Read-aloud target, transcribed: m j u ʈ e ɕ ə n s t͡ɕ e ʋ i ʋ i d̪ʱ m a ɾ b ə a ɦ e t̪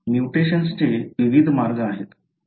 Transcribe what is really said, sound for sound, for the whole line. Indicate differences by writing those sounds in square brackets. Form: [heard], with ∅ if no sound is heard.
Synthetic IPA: m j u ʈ e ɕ ə n s t͡ɕ e ʋ i ʋ i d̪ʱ m a ɾ [ɡ] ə a ɦ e t̪